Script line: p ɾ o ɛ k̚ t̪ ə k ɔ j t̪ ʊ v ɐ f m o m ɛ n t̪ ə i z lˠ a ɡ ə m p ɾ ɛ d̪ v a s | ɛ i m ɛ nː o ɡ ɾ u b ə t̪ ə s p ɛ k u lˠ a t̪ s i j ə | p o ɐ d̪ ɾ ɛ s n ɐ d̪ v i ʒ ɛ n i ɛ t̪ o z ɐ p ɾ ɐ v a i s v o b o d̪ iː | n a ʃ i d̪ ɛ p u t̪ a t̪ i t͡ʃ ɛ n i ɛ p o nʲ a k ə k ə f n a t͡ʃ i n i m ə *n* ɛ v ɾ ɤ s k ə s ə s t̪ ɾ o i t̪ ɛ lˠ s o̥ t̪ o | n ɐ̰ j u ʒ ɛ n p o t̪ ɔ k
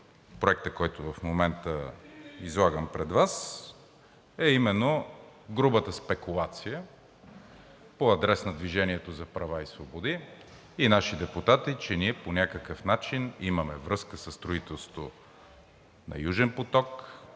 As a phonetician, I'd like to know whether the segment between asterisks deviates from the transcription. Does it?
yes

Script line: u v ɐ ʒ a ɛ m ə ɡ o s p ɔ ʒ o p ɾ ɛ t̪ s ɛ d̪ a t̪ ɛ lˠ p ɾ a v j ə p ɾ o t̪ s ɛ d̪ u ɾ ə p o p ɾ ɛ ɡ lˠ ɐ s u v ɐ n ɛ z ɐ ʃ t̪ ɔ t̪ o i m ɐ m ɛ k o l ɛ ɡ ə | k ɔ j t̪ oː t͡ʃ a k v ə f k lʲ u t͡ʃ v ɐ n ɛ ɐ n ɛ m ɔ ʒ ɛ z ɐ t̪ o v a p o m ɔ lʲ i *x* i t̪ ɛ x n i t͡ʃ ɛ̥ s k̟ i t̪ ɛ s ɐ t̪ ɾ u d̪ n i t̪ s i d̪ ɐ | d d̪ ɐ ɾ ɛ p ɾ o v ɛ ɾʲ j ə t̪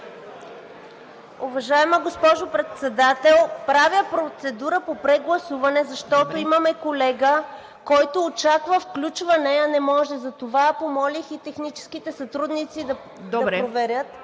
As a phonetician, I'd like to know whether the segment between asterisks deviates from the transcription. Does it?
no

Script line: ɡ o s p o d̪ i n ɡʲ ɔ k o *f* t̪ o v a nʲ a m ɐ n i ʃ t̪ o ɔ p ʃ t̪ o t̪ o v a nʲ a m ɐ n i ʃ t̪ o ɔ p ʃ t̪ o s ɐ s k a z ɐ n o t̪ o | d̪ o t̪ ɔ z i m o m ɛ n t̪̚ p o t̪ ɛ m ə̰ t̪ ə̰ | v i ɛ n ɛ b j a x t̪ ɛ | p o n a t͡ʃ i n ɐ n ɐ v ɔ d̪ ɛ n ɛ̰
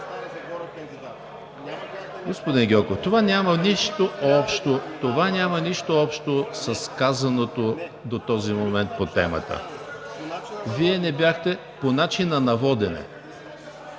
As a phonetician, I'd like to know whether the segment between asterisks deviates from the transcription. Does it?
no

